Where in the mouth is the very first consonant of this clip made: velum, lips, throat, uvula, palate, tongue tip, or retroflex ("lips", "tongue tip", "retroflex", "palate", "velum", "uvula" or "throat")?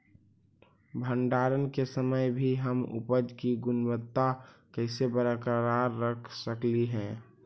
lips